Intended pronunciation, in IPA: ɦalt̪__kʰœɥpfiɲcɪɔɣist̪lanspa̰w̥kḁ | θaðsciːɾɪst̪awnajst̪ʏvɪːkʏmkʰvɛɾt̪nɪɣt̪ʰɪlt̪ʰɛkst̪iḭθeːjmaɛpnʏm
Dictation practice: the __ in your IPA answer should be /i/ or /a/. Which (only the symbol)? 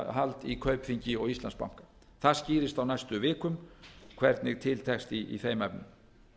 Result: i